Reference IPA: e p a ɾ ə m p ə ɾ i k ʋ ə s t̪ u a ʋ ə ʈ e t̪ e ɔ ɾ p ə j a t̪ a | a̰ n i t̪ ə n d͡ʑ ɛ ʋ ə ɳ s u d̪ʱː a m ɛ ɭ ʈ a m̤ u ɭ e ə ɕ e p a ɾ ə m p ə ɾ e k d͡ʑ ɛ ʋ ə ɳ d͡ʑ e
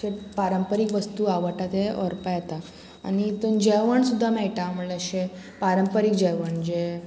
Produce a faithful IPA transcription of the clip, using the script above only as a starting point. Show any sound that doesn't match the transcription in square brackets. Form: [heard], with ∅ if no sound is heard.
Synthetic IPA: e p a ɾ ə m p ə ɾ i k ʋ ə s t̪ u a ʋ ə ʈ [a] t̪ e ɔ ɾ p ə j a t̪ a | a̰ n i t̪ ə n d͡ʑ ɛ ʋ ə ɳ s u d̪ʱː a m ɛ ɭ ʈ a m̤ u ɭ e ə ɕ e p a ɾ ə m p ə ɾ [i] k d͡ʑ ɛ ʋ ə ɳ d͡ʑ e